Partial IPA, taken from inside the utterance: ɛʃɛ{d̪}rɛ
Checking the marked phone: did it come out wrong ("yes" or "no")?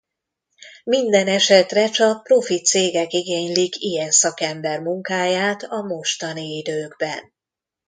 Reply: yes